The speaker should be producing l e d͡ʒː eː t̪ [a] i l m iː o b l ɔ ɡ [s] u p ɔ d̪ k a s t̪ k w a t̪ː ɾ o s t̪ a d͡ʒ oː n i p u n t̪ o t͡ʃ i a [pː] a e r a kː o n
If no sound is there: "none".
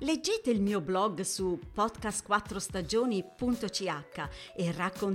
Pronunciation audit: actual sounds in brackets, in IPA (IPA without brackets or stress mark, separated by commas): e, s, kː